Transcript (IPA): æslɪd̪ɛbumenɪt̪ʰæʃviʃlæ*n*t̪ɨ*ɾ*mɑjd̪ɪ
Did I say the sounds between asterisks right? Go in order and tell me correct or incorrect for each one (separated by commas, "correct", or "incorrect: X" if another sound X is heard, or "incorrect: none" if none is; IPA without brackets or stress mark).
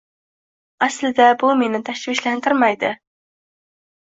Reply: correct, correct